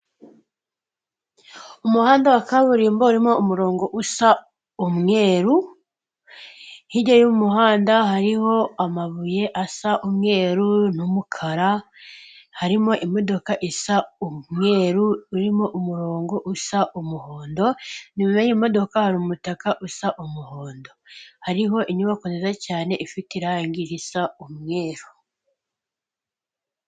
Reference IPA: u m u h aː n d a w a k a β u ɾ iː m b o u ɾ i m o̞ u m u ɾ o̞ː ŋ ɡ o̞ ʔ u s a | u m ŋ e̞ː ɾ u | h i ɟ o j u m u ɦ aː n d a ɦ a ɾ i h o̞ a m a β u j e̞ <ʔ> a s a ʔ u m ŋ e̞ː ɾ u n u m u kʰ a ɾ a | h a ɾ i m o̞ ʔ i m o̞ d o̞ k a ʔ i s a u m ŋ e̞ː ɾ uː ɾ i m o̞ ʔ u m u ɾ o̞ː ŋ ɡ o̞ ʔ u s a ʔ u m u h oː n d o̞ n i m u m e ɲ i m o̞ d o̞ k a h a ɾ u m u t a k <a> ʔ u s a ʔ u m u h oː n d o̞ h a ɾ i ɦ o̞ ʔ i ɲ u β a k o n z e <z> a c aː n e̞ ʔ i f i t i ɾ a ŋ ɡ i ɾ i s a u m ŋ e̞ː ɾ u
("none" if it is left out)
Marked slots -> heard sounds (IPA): ʔ, a, z

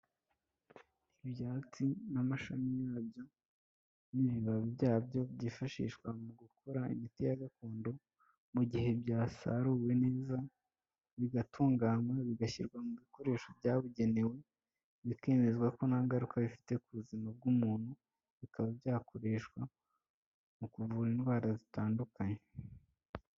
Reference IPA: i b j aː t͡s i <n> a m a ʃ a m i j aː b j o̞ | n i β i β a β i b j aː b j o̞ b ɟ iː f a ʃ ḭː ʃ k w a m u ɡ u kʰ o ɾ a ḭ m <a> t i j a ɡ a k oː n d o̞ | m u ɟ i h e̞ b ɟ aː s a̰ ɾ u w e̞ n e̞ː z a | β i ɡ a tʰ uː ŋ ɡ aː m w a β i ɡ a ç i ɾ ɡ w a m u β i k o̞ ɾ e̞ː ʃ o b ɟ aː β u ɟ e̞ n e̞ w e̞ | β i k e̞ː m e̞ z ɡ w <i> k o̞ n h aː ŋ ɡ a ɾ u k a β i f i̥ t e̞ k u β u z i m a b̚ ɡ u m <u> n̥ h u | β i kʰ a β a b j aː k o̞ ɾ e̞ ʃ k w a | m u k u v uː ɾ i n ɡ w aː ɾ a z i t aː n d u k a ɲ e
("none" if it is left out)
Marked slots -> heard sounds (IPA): n, i, a, uː

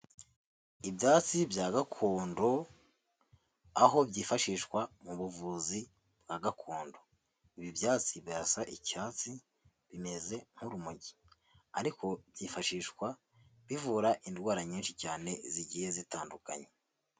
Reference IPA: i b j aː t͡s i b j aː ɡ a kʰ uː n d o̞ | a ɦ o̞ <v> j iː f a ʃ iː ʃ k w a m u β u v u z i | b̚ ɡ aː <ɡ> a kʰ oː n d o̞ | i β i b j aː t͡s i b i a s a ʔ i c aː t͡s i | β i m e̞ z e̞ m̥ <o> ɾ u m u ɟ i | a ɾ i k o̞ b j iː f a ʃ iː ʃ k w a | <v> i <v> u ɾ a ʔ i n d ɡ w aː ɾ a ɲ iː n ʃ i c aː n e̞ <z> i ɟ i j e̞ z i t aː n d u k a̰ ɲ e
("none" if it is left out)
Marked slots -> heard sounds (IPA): b, ɡ, u, β, v, z

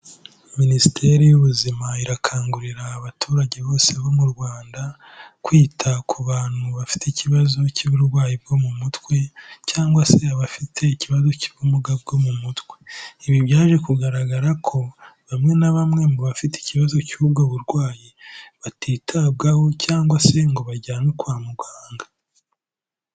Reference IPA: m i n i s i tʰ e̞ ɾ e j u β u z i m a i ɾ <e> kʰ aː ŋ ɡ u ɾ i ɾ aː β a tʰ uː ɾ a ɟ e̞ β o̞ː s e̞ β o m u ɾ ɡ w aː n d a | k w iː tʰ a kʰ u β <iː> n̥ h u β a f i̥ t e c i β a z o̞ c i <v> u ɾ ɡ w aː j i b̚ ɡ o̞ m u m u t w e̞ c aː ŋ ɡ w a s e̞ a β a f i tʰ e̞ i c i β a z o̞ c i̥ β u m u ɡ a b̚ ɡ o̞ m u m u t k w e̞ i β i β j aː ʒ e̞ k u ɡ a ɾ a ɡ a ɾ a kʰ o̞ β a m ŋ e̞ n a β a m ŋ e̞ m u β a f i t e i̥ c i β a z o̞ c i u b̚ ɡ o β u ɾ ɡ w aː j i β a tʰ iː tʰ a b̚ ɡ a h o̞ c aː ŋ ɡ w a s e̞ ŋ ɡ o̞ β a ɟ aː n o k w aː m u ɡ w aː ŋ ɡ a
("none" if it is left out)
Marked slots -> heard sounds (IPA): a, aː, β

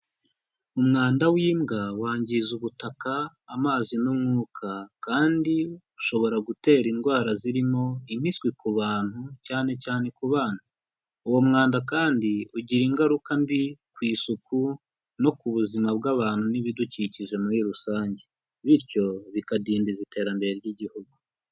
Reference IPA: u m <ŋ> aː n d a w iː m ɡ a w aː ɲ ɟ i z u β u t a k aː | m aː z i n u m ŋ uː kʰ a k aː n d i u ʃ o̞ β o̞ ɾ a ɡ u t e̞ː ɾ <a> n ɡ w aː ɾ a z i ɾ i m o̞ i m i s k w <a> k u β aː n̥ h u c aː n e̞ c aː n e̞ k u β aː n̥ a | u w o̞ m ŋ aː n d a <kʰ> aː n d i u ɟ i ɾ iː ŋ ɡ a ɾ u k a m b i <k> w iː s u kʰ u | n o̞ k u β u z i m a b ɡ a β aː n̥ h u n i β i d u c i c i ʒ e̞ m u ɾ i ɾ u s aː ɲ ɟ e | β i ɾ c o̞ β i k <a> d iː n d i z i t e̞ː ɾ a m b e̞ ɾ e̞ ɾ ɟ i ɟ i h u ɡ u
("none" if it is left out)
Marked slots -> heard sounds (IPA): ŋ, i, i, k, k, a

